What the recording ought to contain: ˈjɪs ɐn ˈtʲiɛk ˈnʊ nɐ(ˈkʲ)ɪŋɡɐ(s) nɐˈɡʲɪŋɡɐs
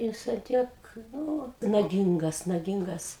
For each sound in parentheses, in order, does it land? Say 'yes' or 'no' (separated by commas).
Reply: no, yes